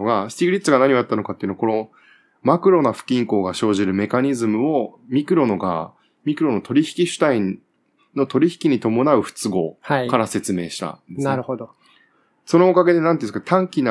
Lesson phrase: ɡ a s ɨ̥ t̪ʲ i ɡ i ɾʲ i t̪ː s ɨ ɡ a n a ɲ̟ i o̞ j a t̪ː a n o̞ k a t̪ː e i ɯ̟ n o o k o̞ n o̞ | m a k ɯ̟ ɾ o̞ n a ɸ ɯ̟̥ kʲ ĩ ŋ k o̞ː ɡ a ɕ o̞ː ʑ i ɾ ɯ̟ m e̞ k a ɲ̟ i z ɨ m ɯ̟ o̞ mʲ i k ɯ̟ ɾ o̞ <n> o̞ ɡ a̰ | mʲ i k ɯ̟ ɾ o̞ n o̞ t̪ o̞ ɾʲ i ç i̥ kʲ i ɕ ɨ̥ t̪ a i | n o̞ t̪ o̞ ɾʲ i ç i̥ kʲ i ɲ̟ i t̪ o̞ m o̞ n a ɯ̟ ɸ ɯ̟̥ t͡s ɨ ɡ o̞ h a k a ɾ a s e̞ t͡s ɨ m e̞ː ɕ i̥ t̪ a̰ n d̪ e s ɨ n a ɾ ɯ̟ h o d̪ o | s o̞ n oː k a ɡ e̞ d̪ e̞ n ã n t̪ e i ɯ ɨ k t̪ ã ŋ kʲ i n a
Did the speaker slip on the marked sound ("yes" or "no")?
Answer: no